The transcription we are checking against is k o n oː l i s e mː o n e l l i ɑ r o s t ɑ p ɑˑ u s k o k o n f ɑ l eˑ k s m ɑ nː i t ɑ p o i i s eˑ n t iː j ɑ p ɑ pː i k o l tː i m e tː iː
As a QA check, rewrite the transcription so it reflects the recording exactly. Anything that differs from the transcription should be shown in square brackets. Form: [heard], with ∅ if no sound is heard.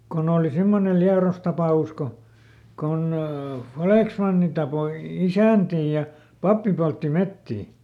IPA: k o n oː l i s [i] mː o n e l l i ɑ r o s t ɑ p ɑˑ u s k o k o n f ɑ l eˑ k s m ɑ nː i t ɑ p o i i s [æˑ] n t iː j ɑ p ɑ pː i [p] o l tː i m e tː iː

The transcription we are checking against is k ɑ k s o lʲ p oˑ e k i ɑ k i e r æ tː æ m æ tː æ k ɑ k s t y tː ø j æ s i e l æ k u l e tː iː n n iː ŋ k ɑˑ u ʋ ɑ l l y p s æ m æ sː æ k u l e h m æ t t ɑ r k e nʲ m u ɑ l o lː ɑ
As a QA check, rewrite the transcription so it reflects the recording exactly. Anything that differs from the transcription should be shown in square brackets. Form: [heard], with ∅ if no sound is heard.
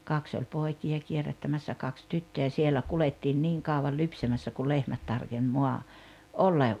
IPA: k ɑ k s o lʲ p oˑ [i] k i ɑ k i e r æ tː æ m æ [sː] æ k ɑ k s t y tː ø j æ s i e l æ k u l e tː iː n n iː ŋ k ɑˑ u ʋ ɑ l l y p s æ m æ sː æ k u l e h m æ t t ɑ r k e nʲ m [o] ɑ [∅] o lː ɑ

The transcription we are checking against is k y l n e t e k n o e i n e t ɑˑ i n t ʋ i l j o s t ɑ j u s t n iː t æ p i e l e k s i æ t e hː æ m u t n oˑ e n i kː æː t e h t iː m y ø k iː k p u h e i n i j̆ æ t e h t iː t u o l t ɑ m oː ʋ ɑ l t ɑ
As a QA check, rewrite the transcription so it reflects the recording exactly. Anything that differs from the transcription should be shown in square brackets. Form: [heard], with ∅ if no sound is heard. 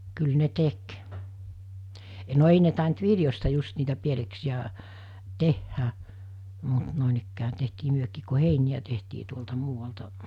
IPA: k y l n e t e k n o e i n e t ɑˑ i n t ʋ i l j o s t ɑ j u s t n iː t æ p i e l e k s i æ t e hː æ m u t n oˑ e n i kː æː t e h t iː m y ø k iː k [k] u h e i n i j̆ æ t e h t iː t u o l t ɑ m [uː] ʋ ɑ l t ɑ

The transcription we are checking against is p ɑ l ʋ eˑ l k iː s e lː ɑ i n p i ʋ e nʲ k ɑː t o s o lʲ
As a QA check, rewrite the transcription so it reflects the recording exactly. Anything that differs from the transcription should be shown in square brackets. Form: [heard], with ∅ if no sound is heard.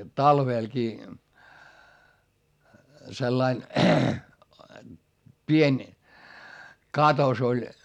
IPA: [t] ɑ l ʋ eˑ l k iː s e lː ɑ i n p i [∅] e nʲ k [ɑ] t o s o lʲ

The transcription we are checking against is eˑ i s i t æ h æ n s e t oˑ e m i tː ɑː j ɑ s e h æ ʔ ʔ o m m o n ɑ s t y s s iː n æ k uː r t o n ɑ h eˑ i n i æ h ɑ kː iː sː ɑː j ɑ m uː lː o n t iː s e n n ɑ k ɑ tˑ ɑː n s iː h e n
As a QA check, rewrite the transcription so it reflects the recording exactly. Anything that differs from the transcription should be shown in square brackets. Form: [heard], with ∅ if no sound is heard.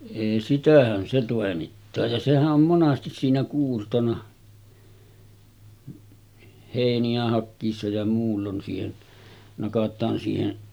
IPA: eˑ i s i t æ h æ n s e t oˑ e m i tː ɑː j ɑ s e h æ ʔ ʔ o m m o n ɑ s t [i] s s iː n æ k uː r t o n ɑ h eˑ i n i æ h ɑ kː iː sː [ɑ] j ɑ m uː lː o n [s] iː [h] e n n ɑ k ɑ tˑ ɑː n s iː h e n

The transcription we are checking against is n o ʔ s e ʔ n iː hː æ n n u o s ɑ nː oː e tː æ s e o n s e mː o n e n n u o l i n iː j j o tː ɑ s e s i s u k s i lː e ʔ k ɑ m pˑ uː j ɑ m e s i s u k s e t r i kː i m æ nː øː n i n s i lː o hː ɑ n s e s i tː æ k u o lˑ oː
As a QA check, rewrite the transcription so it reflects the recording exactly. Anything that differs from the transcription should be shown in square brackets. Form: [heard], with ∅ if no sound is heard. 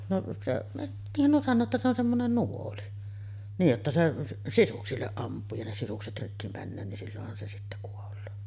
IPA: n o ʔ s e ʔ n iː hː æ n n u o s ɑ nː oː e tː æ s e o n s e mː o n e n n u o l i n iː j j o tː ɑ s e s i s u k s i lː e ʔ [ʔ] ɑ m pˑ uː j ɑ [n] e s i s u k s e t r i kː i m æ nː øː n i n s i lː o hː ɑ n s e s i tː æ k u o lˑ oː

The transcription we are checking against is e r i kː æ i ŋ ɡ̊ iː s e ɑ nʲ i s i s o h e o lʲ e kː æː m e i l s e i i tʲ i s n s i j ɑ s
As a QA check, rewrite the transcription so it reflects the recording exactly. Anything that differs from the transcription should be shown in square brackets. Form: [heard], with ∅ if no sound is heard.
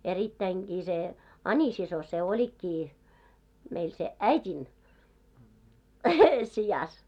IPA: e r i [tː] æ i ŋ ɡ̊ iː s e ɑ nʲ i s i s o [s] e o lʲ [i] kː [iː] m e i l s e [æ] i tʲ i [∅] n s i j ɑ s

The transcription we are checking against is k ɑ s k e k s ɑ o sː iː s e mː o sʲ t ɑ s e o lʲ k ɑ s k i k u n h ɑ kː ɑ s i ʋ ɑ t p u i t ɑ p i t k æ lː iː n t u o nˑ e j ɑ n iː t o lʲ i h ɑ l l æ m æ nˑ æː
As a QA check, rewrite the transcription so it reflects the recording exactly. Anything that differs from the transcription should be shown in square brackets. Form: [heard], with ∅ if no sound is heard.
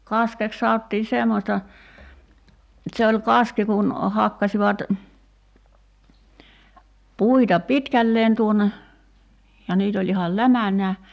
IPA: k ɑ s k e k s ɑ o [tː] iː s e mː o sʲ t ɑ s e o lʲ k ɑ s k i k u n h ɑ kː ɑ s i ʋ ɑ t p u i t ɑ p i t k æ lː [eː] n t u o nˑ e j ɑ n iː t o lʲ i h ɑ l l æ m æ nˑ æː

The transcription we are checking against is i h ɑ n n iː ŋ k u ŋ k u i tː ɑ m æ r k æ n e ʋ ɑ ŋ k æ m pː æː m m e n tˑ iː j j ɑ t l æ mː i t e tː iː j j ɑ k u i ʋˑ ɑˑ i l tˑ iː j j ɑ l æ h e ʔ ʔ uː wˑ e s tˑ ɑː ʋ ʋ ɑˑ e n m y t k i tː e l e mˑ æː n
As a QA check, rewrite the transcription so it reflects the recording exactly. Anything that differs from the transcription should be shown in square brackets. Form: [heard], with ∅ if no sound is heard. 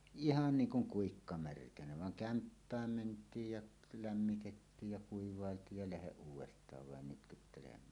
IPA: i h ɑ n n iː ŋ k u ŋ k u i [kː] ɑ m æ r k æ n [æ] ʋ ɑ ŋ k æ m pː æː m m e n tˑ iː j j ɑ [ʔ] l æ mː i t e tː iː j j ɑ k u i ʋˑ ɑˑ [e] l tˑ iː j j ɑ l æ h e ʔ ʔ uː wˑ e s tˑ ɑː ʋ ʋ ɑˑ e n [n] y t k [y] tː e l e mˑ æː n

